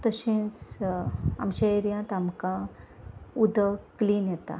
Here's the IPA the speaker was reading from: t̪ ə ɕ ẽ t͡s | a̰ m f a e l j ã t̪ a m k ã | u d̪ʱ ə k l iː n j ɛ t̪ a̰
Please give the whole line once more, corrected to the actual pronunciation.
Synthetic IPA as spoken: t̪ ə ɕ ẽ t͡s | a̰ m ɕ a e ɾ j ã t̪ a m k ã | u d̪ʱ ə k l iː n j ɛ t̪ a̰